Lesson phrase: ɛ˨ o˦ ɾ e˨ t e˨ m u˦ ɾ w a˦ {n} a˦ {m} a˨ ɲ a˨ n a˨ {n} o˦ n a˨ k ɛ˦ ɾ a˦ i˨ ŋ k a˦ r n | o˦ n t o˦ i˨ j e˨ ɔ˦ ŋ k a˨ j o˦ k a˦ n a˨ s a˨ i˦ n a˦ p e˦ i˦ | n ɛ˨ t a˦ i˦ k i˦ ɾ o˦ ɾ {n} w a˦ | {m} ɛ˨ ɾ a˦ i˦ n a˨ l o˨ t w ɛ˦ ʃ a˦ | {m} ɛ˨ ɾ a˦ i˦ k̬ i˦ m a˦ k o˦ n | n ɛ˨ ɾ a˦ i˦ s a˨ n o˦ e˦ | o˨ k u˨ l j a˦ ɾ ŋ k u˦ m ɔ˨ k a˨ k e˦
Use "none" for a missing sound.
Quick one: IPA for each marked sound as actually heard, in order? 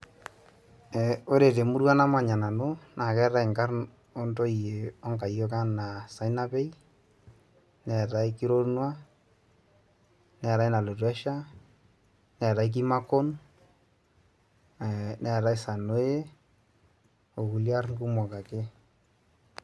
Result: n, m, n, n, n, n

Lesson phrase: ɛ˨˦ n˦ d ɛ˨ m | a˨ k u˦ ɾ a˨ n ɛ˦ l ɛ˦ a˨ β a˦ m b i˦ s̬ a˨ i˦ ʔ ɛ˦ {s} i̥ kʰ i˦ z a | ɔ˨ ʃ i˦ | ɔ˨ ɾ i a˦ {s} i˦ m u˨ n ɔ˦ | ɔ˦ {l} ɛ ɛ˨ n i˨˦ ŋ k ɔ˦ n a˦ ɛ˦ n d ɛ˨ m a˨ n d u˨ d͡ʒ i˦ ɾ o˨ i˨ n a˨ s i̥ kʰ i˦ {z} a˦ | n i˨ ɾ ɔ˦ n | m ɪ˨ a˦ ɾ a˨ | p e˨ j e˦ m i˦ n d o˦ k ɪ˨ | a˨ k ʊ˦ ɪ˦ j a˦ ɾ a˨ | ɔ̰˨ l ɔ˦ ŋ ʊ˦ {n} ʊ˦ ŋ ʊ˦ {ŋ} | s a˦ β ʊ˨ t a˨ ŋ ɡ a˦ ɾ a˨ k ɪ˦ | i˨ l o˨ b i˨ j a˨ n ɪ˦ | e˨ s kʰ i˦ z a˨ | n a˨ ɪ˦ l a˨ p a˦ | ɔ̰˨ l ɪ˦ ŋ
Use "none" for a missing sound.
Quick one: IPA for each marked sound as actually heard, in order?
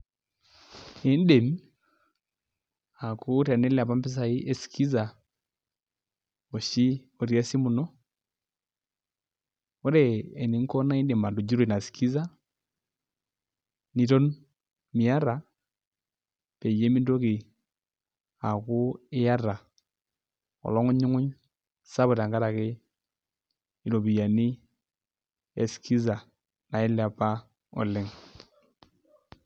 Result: s, s, ɾ, z, ɲ, ɲ

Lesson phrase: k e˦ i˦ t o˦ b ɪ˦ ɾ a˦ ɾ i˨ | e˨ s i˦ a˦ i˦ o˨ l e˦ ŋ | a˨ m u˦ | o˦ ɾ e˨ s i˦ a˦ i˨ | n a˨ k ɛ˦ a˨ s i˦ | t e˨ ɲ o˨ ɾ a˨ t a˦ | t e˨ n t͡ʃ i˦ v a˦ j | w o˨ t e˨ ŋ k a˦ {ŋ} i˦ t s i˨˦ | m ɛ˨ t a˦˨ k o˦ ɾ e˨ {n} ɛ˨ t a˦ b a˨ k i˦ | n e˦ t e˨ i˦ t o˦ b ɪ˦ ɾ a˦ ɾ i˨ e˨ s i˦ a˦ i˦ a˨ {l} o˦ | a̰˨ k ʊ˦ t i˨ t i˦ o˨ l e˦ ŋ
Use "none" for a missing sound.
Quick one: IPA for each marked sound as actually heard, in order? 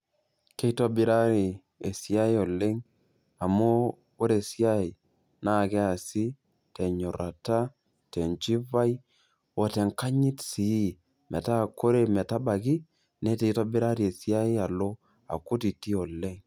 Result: ɲ, m, l

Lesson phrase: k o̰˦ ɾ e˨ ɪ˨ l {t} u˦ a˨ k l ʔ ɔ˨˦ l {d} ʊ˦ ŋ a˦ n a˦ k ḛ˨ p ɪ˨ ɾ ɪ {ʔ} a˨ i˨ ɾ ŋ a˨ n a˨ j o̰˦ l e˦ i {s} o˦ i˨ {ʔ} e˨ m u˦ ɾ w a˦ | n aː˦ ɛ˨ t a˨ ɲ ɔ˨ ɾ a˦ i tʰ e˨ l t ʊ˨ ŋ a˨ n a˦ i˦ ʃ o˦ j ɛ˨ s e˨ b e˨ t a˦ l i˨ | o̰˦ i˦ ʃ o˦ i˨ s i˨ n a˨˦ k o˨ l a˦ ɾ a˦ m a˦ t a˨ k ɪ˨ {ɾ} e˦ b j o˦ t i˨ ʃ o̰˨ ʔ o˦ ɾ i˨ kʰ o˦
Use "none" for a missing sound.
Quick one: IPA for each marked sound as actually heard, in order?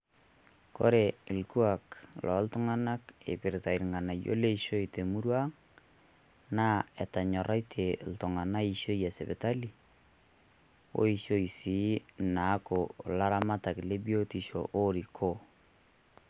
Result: k, t, t, ʃ, t, l

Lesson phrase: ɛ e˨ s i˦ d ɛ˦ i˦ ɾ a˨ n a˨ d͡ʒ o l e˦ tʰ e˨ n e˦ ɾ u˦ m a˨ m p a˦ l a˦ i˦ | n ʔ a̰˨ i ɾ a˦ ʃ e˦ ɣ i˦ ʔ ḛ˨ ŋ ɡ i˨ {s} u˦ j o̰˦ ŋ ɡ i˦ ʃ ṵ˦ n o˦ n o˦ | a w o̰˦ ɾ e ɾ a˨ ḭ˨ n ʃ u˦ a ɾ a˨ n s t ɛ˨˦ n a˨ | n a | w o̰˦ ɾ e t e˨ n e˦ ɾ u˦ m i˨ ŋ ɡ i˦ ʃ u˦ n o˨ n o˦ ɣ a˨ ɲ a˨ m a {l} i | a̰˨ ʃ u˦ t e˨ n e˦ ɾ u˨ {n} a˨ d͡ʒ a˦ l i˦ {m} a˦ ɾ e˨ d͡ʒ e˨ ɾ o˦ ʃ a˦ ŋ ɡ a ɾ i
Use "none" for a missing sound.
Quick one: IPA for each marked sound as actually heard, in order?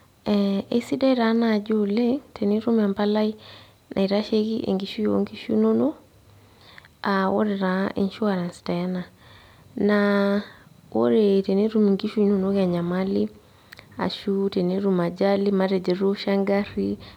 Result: ʃ, l, m, m

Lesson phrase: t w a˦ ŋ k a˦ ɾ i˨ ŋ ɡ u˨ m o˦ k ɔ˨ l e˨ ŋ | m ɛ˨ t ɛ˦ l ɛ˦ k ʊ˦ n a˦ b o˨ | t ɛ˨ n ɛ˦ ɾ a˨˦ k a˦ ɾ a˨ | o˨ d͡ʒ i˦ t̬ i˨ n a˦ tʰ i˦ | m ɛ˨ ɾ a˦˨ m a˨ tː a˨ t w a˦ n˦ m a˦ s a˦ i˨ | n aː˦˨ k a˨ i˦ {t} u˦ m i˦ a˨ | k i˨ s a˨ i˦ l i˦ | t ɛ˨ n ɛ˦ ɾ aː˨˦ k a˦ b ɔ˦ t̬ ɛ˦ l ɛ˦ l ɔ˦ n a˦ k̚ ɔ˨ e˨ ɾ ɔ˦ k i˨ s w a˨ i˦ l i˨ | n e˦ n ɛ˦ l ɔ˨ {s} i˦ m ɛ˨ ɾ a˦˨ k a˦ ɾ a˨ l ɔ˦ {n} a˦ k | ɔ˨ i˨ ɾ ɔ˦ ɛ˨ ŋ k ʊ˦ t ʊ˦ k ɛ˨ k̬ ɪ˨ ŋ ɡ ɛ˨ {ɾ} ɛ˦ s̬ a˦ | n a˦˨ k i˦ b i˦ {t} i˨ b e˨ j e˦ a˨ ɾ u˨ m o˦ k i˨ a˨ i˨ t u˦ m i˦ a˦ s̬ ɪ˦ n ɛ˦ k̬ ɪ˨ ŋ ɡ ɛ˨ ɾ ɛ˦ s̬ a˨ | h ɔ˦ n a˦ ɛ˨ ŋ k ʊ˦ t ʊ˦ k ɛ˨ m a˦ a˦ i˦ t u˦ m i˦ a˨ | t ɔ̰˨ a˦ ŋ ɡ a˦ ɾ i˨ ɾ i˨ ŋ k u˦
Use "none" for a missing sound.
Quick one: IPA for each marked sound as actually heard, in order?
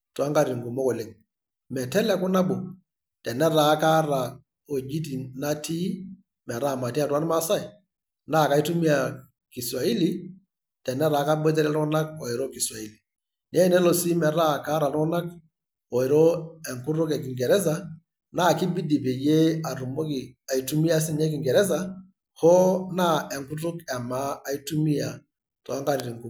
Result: t, s, n, ɾ, d

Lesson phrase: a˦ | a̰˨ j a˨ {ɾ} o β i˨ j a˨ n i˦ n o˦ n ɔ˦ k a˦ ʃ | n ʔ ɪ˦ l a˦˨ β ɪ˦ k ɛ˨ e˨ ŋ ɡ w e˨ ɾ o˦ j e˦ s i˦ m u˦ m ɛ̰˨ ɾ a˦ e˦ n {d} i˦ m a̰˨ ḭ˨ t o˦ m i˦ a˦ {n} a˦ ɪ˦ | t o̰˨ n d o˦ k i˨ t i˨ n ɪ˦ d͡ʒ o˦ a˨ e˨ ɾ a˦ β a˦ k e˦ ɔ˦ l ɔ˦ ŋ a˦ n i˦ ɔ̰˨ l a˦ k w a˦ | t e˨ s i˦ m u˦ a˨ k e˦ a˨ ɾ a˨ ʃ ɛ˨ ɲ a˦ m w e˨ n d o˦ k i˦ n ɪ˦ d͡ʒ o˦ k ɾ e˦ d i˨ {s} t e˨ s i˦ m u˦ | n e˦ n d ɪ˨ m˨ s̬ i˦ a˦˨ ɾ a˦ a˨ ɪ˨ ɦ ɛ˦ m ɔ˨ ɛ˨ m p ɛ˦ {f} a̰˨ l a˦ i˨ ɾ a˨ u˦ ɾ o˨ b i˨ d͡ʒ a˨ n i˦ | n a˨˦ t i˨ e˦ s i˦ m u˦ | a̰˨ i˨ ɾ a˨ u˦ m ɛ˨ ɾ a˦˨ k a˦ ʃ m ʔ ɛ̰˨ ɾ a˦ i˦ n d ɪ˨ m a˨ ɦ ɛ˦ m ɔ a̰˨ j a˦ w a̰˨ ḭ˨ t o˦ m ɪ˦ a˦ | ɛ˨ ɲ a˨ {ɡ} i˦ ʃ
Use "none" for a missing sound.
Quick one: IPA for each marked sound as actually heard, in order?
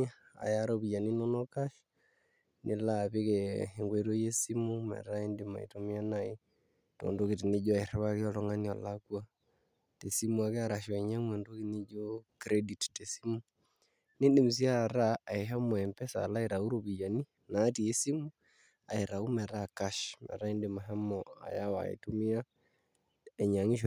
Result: ɾ, d, n, t, s, ŋ

